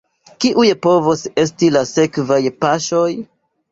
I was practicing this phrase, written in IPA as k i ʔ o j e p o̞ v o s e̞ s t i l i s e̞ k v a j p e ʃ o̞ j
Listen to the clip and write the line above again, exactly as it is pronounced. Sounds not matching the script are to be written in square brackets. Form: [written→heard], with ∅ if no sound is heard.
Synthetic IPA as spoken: k i ʔ [o→u] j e p o̞ v o s e̞ s t i l [i→a] s e̞ k v a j p [e→a] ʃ o̞ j